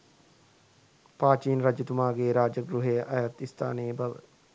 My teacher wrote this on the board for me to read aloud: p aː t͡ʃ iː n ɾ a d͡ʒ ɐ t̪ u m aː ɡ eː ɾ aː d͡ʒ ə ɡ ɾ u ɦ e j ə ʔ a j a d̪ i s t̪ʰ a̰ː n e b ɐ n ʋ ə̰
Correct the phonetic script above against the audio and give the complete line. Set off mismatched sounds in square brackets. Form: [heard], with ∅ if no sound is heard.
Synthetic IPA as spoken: p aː t͡ʃ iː n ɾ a d͡ʒ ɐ t̪ u m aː ɡ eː ɾ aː d͡ʒ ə ɡ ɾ u ɦ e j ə ʔ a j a [t̪] i s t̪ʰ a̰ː n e b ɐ [∅] ʋ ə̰